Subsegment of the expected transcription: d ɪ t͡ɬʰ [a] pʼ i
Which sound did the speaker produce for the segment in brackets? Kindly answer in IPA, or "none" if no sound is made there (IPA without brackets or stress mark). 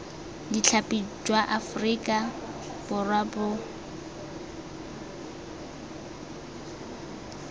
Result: a